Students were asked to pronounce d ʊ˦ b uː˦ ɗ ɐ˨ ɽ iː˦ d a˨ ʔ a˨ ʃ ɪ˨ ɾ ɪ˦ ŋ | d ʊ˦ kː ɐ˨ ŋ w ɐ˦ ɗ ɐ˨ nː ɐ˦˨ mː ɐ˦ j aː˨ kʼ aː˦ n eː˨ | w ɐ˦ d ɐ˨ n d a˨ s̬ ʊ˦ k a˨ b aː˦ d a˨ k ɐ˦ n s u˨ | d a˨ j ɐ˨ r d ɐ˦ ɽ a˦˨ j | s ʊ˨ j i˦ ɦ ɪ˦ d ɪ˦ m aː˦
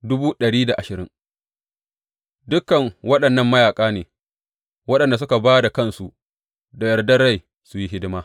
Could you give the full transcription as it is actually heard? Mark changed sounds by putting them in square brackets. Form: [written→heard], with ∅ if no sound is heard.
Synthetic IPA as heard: d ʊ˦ b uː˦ ɗ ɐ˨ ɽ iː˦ d a˨ ʔ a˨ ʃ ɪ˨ ɾ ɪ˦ ŋ | d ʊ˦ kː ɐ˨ ŋ w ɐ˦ ɗ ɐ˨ nː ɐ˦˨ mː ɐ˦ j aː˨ kʼ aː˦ n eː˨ | w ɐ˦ [d→ɗ] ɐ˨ n d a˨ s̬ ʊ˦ k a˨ b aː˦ d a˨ k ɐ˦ n s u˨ | d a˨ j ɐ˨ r d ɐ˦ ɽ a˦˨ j | s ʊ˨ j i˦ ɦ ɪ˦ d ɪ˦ m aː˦